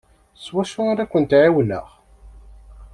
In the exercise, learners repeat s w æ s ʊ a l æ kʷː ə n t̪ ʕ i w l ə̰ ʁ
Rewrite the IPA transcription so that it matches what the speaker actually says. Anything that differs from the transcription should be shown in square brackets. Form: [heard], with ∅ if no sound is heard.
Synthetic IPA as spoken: s w æ [ʃ] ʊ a [ɾ] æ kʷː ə n t̪ ʕ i w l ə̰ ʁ